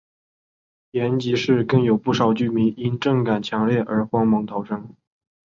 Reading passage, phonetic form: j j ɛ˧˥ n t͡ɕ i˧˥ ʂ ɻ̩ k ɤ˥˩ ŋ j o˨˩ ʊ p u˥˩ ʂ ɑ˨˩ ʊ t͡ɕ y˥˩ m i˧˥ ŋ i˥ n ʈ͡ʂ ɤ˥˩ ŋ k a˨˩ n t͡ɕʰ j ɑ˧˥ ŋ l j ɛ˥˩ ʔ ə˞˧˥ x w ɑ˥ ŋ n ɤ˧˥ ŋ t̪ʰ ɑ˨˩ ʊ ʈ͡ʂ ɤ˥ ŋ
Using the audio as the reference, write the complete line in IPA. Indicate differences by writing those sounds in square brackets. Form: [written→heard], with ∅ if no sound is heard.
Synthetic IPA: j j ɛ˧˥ n t͡ɕ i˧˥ ʂ ɻ̩ k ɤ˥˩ ŋ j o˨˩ ʊ p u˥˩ ʂ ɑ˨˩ ʊ t͡ɕ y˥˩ m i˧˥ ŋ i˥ n ʈ͡ʂ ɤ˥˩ ŋ k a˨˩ n t͡ɕʰ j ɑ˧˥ ŋ l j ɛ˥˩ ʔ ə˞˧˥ x w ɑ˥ ŋ [n→m] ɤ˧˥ ŋ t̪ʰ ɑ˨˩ ʊ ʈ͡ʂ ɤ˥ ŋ